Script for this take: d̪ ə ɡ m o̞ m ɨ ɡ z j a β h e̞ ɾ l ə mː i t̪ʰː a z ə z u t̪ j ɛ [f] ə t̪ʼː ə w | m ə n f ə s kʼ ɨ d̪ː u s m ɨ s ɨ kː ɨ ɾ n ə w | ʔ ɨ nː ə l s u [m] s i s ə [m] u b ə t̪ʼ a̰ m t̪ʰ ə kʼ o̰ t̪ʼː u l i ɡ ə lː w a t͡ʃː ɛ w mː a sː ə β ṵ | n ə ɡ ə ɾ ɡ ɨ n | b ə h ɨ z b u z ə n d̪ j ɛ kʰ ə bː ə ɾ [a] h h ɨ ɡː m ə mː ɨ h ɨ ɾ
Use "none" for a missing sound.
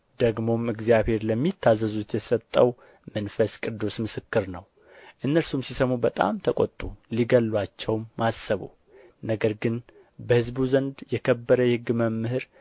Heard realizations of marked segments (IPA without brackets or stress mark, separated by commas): s, m, m, ə